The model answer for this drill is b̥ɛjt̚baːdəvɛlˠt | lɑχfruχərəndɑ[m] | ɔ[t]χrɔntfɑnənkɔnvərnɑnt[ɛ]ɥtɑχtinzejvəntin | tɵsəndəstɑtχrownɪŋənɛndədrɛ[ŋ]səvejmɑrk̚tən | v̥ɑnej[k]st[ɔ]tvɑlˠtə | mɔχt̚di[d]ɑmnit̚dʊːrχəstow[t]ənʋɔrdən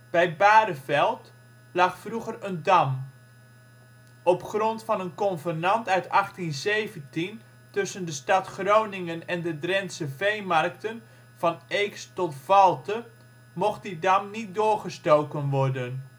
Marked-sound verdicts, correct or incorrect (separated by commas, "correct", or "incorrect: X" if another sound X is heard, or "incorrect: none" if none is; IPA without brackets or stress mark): correct, incorrect: p, incorrect: œ, incorrect: n, correct, correct, correct, incorrect: k